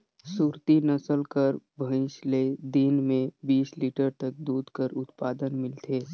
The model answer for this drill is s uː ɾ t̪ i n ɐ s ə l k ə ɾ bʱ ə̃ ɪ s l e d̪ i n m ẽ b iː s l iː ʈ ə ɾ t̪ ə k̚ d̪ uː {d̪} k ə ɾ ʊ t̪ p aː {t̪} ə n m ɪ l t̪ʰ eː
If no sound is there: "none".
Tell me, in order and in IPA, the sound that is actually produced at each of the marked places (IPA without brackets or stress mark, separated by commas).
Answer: d̪, d̪